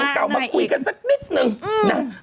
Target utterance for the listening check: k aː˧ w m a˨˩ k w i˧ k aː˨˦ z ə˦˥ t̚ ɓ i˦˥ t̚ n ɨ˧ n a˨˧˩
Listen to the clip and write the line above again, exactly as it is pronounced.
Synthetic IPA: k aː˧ w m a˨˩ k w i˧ k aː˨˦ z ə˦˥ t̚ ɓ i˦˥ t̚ n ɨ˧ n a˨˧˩